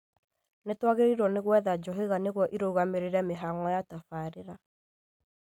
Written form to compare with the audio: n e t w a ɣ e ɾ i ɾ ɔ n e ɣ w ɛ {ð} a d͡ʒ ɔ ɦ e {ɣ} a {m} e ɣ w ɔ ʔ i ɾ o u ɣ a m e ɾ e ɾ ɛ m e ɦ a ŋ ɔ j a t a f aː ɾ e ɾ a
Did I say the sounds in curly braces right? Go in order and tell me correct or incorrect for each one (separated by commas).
correct, correct, incorrect